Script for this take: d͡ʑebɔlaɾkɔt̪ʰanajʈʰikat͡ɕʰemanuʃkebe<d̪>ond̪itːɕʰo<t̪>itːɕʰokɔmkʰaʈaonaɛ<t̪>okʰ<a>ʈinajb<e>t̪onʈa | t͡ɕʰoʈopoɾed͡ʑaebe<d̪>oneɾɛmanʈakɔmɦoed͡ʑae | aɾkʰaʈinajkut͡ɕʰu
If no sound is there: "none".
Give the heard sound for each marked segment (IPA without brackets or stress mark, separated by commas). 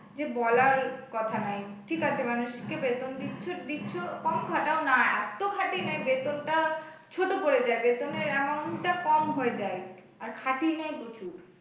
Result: t̪, d̪, t̪, a, e, t̪